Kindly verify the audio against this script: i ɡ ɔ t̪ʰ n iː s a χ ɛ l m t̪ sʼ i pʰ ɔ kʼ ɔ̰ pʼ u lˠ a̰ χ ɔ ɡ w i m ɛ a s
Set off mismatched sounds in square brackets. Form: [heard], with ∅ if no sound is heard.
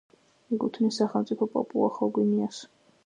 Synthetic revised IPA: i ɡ [u] t̪ʰ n [i] s a χ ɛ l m t̪ sʼ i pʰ ɔ [pʼ] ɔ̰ pʼ u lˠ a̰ χ ɔ ɡ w i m [i] a s

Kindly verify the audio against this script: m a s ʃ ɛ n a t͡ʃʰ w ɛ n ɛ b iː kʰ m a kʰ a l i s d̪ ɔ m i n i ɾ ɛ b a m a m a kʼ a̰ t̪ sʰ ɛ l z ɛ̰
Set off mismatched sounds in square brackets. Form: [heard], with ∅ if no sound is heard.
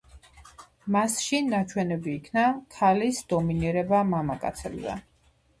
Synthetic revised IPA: m a s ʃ [i] n a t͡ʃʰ w ɛ n ɛ b iː kʰ [n] a kʰ a l i s d̪ ɔ m i n i ɾ ɛ b a m a m a kʼ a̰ t̪ sʰ ɛ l z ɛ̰

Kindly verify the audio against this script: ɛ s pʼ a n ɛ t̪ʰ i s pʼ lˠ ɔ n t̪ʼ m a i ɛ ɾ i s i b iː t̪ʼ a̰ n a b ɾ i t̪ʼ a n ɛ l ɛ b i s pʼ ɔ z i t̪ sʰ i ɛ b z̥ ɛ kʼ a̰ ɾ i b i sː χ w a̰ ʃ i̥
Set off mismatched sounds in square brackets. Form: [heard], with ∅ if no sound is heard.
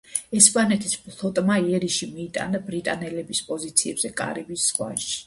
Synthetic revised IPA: ɛ s pʼ a n ɛ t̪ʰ i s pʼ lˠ ɔ [∅] t̪ʼ m a i ɛ ɾ i [ʃ] i [m] iː t̪ʼ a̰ n a b ɾ i t̪ʼ a n ɛ l ɛ b i s pʼ ɔ z i t̪ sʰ i ɛ b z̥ ɛ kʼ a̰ ɾ i b i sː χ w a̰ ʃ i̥

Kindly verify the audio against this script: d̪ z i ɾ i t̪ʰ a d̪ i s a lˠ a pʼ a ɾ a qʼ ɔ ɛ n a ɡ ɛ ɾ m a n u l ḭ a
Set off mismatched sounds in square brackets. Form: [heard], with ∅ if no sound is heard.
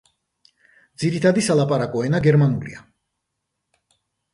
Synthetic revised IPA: d̪ z i ɾ i t̪ʰ a d̪ i s a lˠ a pʼ a ɾ a [kʼ] ɔ ɛ n a ɡ ɛ ɾ m a n u l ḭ a

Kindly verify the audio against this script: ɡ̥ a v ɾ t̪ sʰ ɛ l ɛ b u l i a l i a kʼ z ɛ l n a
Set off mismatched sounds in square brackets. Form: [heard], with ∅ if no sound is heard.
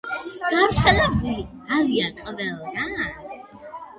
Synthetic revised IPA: ɡ̥ a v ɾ t̪ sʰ ɛ l ɛ b u l i a l i a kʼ [v] ɛ l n a

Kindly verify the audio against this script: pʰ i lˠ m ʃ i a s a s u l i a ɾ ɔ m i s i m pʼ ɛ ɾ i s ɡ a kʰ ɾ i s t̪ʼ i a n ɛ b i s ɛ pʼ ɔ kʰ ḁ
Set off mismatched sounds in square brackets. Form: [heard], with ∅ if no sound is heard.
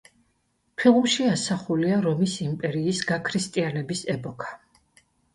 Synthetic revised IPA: pʰ i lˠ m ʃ i a s a [χ] u l i a ɾ ɔ m i s i m pʼ ɛ ɾ [iː] s ɡ a kʰ ɾ i s t̪ʼ i a n ɛ b i s ɛ pʼ ɔ kʰ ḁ

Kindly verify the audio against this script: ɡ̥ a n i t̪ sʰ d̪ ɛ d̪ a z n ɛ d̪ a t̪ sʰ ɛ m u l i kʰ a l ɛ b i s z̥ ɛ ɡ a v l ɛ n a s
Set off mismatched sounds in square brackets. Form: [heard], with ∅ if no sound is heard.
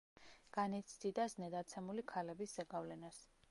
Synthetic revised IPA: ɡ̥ a n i t̪ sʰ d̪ [i] d̪ a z n ɛ d̪ a t̪ sʰ ɛ m u l i kʰ a l ɛ b i s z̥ ɛ ɡ a v l ɛ n a s

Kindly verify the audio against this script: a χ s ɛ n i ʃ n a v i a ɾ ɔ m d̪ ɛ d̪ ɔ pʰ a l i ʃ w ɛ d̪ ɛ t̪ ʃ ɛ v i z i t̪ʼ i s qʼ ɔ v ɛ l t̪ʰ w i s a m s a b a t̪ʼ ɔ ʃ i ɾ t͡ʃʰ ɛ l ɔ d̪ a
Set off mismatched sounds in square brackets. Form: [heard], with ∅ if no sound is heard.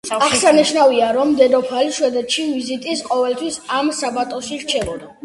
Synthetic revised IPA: a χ s [a] n i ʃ n a v i a ɾ ɔ m d̪ ɛ d̪ ɔ pʰ a l i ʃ w ɛ d̪ ɛ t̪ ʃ [i] v i z i t̪ʼ i s qʼ ɔ v ɛ l t̪ʰ w i s a m s a b a t̪ʼ ɔ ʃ i ɾ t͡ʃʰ ɛ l ɔ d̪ a

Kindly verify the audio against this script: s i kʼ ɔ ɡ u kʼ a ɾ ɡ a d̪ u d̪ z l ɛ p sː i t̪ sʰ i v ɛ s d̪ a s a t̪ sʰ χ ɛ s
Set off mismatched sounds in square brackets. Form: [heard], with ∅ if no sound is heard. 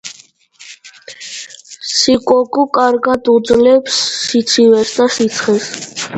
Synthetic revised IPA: s i kʼ ɔ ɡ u kʼ a ɾ ɡ a d̪ u d̪ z l ɛ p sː i t̪ sʰ i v ɛ s d̪ a s [i] t̪ sʰ χ ɛ s

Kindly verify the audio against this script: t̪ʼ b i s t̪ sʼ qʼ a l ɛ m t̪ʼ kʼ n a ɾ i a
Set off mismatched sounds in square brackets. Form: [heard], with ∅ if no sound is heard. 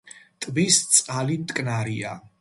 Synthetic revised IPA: t̪ʼ b i s t̪ sʼ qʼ a l [i] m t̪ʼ kʼ n a ɾ i a

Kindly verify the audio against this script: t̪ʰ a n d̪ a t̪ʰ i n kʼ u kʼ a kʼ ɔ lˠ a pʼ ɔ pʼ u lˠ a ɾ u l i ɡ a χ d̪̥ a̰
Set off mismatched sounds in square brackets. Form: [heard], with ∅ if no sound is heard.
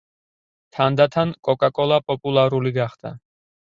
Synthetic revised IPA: t̪ʰ a n d̪ a t̪ʰ [a] n kʼ [ɔ] kʼ a kʼ ɔ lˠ a pʼ ɔ pʼ u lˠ a ɾ u l i ɡ a χ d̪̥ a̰

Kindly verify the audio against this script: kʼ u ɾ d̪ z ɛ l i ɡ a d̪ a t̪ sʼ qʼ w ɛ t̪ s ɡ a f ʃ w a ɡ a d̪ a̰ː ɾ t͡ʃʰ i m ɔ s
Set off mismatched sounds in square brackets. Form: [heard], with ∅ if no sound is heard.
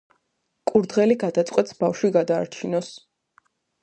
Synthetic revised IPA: kʼ u ɾ d̪ [ʁ] ɛ l i ɡ a d̪ a t̪ sʼ qʼ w ɛ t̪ s [b] a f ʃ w [i] ɡ a d̪ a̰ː ɾ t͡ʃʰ i [n] ɔ s

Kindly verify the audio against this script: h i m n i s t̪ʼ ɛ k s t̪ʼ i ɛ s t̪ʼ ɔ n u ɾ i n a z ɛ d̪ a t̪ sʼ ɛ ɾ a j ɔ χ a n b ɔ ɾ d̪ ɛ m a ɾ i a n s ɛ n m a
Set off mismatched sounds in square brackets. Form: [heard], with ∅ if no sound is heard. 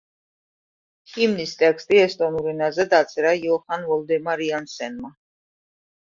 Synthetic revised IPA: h i m n i s t̪ʼ ɛ k s t̪ʼ i ɛ s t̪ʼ ɔ n u ɾ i n a z ɛ d̪ a t̪ sʼ ɛ ɾ a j ɔ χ a n [v] ɔ [l] d̪ ɛ m a ɾ i a n s ɛ n m a

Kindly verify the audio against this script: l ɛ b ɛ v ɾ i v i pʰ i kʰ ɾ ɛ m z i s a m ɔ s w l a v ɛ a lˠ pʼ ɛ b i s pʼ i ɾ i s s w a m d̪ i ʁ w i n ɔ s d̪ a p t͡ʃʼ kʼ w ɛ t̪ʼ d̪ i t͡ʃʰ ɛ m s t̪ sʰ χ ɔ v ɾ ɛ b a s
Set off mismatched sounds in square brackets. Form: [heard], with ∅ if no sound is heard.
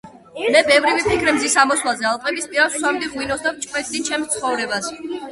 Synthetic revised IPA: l ɛ b ɛ v ɾ i v i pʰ i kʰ ɾ ɛ m z i s a m ɔ s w l a [z] ɛ a lˠ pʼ ɛ b i s pʼ i ɾ [a] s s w a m d̪ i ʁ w i n ɔ s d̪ a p t͡ʃʼ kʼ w ɛ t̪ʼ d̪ i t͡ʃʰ ɛ m s t̪ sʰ χ ɔ v ɾ ɛ b a s

